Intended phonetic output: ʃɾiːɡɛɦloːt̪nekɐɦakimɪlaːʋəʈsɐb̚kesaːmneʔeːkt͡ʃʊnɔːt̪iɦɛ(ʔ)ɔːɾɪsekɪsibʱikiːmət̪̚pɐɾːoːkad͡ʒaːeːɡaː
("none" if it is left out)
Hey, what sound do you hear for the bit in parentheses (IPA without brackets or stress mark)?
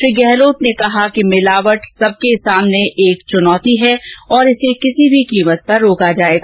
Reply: none